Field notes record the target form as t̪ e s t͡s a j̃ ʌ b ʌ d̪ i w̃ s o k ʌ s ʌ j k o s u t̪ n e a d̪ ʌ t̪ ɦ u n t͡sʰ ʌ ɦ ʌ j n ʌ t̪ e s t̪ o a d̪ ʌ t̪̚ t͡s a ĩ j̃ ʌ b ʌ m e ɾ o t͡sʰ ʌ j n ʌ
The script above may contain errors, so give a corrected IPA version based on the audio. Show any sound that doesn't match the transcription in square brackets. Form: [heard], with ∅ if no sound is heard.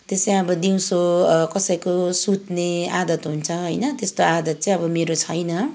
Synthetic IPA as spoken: t̪ e s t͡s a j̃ ʌ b ʌ d̪ i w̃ s o k ʌ s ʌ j k o s u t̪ n e a d̪ ʌ t̪ ɦ u n t͡sʰ ʌ ɦ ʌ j n ʌ t̪ e s t̪ o a d̪ ʌ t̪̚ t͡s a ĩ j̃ ʌ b ʌ m e ɾ o t͡sʰ ʌ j n ʌ